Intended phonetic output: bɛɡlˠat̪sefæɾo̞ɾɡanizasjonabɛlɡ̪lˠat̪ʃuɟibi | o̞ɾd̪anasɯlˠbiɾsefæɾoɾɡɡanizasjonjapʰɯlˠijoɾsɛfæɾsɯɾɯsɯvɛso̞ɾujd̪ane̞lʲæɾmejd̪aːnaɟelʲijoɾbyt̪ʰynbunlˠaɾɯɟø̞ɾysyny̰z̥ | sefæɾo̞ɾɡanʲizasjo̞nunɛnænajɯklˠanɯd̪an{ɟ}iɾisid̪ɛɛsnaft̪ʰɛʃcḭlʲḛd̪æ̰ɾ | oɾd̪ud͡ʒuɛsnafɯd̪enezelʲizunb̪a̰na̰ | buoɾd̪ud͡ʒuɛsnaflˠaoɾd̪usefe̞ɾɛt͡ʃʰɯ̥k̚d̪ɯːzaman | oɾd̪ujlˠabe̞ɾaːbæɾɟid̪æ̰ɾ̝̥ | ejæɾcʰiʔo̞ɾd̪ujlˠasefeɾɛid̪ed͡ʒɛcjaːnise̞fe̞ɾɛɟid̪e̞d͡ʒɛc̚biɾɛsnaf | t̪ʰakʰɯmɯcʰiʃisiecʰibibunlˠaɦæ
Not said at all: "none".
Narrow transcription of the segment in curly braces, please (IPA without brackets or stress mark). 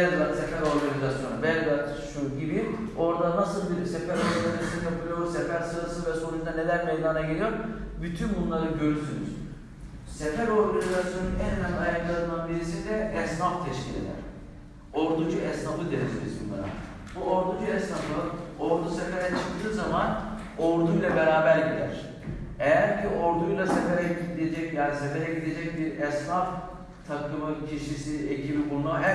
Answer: b